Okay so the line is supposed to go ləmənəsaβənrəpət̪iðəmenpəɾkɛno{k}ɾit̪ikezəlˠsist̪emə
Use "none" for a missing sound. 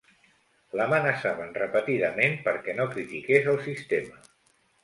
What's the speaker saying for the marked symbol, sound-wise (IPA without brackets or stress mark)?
k